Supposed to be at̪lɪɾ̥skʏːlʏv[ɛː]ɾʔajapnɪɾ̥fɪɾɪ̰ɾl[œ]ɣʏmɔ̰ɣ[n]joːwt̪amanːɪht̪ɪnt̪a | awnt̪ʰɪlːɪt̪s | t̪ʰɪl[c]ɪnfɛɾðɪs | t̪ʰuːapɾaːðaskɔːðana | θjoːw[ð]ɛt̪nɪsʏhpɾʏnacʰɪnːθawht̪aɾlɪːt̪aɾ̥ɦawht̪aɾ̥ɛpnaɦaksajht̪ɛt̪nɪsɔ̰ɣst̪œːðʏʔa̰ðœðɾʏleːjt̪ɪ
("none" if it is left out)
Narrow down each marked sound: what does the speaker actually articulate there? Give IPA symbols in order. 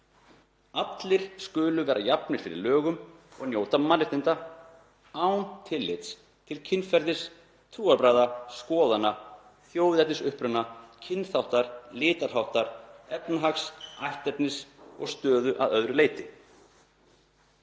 ɛː, œː, n, cʰ, ð

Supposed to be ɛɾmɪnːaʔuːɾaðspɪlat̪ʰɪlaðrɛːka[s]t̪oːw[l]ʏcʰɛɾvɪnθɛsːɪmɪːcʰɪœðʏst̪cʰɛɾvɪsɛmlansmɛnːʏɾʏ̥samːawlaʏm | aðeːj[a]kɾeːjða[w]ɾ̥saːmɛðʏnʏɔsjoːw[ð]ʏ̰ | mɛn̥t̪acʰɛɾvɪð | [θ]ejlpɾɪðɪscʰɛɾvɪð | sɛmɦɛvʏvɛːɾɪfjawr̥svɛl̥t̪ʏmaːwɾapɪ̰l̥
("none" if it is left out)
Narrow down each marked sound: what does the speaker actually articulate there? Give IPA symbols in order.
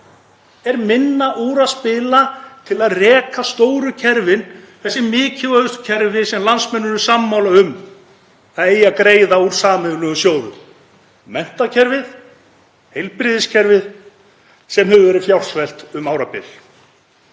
s, ɾ, a, u, ð, h

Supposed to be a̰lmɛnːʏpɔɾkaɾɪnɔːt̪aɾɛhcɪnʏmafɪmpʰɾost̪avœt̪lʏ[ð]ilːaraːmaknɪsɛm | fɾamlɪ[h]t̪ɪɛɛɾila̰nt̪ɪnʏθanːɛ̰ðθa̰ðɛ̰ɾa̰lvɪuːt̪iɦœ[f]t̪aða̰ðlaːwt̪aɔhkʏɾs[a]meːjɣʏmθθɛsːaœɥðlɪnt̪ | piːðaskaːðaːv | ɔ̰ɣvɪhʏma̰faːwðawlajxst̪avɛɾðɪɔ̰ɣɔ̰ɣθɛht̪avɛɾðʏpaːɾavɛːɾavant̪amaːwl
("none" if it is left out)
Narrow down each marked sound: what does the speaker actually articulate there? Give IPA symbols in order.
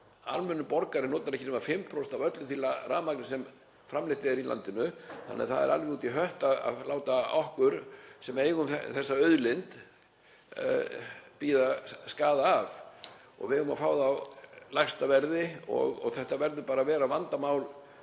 θ, h, h, ɛ

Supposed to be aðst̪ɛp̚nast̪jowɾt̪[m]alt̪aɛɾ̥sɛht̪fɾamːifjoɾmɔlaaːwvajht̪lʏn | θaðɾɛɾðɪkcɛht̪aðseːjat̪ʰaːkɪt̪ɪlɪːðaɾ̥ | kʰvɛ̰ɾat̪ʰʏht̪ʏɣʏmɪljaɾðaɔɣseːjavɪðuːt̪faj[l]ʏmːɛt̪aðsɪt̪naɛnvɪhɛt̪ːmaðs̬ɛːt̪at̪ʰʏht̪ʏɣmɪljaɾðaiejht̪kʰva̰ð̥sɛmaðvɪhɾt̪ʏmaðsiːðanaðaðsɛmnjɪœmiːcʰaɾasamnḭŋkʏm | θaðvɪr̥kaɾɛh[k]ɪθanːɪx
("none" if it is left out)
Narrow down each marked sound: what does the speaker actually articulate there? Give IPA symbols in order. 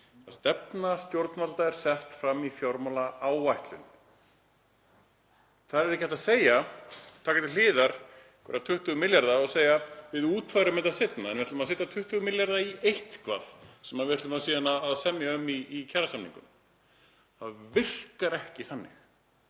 n, ɾ, c

